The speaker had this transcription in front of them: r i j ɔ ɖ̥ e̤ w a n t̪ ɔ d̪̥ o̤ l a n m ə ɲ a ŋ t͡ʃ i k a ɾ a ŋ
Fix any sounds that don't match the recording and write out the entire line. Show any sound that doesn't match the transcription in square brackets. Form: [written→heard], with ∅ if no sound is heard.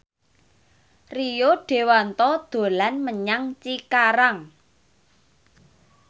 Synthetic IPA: r i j [ɔ→o] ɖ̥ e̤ w a n t̪ ɔ d̪̥ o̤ l a n m ə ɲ a ŋ t͡ʃ i k a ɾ a ŋ